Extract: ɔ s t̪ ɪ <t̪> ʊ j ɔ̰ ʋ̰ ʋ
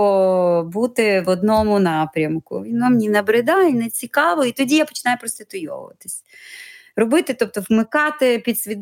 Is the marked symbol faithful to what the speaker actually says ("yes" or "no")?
yes